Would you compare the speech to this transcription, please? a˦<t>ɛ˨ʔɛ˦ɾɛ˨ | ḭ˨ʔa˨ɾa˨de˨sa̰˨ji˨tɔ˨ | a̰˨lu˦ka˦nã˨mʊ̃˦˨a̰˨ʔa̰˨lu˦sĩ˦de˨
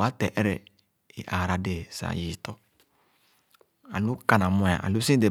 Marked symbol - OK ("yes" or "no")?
yes